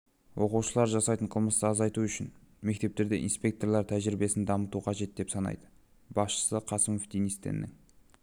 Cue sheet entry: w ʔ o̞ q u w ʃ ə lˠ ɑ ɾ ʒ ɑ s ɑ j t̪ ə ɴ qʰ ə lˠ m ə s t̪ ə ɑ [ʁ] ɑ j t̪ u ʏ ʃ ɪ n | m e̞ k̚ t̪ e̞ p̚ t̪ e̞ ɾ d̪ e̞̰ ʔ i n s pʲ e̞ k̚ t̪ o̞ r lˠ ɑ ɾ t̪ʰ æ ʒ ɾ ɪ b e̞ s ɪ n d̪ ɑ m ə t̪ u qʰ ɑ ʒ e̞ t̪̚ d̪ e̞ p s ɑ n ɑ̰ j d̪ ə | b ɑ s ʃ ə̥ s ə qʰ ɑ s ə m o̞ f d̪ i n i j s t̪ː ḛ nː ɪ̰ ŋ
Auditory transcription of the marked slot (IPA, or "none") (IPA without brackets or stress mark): z